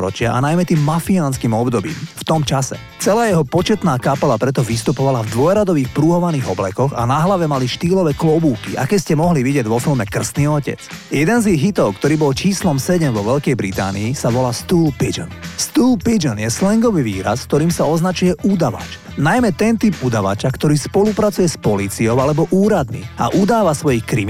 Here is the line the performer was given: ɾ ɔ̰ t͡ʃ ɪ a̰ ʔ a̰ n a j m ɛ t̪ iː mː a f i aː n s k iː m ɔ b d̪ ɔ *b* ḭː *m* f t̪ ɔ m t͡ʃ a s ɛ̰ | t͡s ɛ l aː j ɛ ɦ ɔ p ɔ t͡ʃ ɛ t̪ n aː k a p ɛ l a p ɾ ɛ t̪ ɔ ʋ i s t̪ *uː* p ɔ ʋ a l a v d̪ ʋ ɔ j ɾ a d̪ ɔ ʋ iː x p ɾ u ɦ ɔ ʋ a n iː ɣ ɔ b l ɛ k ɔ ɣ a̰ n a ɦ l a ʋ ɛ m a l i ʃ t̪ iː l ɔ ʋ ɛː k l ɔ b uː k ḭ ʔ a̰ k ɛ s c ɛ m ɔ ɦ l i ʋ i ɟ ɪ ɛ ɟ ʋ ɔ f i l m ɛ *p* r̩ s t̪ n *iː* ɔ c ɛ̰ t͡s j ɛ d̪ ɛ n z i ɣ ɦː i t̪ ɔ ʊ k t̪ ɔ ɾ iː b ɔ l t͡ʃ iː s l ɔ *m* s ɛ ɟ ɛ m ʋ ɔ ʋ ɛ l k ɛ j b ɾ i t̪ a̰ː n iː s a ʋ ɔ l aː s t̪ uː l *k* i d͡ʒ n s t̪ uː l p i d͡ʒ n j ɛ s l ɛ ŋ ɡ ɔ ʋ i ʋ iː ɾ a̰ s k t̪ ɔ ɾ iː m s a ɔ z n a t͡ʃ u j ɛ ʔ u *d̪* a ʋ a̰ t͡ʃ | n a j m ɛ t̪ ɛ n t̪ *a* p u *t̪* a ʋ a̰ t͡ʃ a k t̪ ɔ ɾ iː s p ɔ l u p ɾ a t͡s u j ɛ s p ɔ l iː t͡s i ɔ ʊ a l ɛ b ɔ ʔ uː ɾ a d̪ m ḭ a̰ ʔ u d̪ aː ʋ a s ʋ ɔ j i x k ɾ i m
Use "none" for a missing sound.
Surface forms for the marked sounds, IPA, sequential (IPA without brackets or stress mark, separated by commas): b, m, u, k, iː, m, p, d̪, i, d̪